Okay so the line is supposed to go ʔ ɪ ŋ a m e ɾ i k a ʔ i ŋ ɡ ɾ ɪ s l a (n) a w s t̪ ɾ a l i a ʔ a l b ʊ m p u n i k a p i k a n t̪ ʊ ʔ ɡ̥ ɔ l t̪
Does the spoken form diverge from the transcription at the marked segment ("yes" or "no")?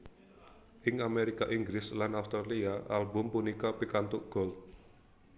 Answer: no